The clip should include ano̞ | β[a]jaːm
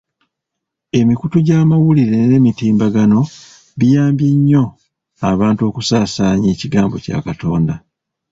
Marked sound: incorrect: i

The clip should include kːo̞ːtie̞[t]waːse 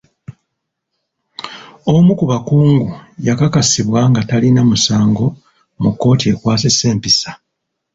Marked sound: incorrect: k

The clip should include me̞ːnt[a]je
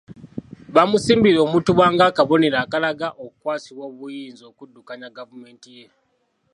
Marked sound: incorrect: i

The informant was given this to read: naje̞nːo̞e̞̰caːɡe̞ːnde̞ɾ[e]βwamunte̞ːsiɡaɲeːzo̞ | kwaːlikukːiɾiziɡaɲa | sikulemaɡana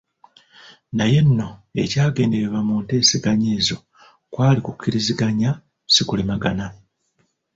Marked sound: correct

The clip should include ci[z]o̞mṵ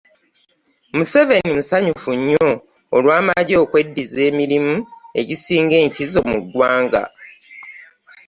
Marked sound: correct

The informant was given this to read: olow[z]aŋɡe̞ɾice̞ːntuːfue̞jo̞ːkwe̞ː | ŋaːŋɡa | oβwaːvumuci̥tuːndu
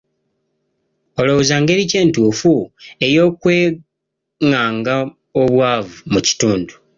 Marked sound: correct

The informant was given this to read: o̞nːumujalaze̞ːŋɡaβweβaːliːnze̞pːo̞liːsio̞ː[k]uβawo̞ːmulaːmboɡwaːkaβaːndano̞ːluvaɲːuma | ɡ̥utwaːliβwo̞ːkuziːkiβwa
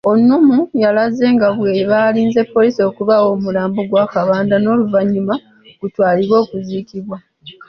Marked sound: correct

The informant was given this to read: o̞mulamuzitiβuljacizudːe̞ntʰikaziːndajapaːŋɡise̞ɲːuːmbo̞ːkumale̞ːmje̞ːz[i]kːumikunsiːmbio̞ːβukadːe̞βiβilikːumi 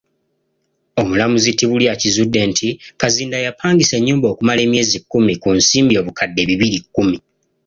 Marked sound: correct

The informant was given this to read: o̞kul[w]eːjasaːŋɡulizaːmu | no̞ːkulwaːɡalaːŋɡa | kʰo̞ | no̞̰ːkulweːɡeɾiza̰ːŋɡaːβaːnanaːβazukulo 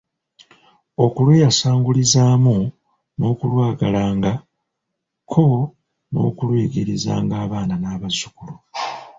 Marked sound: correct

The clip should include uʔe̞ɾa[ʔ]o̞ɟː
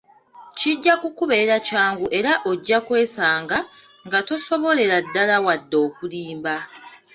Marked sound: correct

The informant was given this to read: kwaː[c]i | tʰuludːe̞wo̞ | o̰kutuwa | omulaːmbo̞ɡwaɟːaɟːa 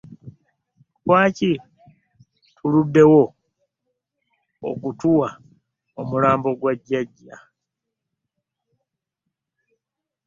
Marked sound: correct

